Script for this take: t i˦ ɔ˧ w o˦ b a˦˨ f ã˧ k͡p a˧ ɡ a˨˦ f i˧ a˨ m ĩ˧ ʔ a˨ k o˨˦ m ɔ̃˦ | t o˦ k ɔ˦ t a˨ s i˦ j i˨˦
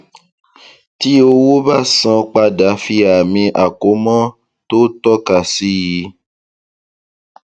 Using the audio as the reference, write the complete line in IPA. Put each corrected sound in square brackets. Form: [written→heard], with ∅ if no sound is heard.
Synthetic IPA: t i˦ [ɔ˧→o˧] w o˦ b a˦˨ [f→s] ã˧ k͡p a˧ [ɡ→d] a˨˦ f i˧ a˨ m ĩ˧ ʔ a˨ k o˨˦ m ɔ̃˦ | t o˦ [k→t] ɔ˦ [t→k] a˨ s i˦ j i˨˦